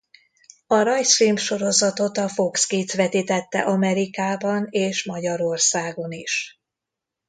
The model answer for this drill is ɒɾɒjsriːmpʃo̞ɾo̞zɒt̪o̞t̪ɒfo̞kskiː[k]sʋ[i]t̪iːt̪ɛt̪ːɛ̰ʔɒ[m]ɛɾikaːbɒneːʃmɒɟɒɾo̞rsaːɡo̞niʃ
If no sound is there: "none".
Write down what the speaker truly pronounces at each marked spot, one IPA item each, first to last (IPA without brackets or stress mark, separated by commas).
none, ɛ, m